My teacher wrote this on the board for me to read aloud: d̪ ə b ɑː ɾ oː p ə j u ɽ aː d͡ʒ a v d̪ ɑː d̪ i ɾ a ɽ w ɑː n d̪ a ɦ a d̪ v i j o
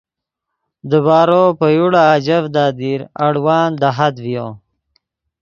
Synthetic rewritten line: d̪ ə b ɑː ɾ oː p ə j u ɽ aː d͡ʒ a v d̪ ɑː d̪ i ɾ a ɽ w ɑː n d̪ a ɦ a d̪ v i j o